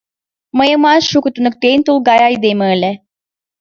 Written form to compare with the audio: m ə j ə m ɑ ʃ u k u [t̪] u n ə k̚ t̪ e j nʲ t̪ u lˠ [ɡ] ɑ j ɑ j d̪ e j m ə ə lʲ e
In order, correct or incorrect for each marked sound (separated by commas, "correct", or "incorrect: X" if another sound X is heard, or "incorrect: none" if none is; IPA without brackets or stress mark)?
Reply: correct, correct